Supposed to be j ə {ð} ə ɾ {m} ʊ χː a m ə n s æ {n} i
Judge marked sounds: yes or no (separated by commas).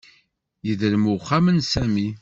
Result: yes, yes, no